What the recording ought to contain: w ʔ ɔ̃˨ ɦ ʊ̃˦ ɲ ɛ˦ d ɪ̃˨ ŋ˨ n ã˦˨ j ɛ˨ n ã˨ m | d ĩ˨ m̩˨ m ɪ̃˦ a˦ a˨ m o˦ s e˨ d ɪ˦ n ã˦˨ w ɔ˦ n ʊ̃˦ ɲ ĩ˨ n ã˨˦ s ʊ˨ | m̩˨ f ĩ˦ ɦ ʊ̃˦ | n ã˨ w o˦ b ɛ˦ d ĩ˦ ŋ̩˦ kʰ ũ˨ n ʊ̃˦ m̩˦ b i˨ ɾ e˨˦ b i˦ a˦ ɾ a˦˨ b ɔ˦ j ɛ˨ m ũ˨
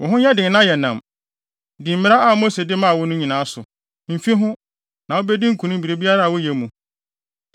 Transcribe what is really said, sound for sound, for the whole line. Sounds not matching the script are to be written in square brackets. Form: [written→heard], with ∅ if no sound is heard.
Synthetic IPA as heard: w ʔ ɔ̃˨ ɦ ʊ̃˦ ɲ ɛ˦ d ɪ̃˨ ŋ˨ n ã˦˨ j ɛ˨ n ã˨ m | d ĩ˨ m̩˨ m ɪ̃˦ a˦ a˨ m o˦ s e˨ d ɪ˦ [n→m] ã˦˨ w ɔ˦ n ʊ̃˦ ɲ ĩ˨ n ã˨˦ s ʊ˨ | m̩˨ f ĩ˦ ɦ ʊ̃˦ | n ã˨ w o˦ b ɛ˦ d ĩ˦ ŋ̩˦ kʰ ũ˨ n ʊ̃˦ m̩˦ b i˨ ɾ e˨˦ b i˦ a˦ ɾ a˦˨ [b→w] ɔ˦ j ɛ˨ m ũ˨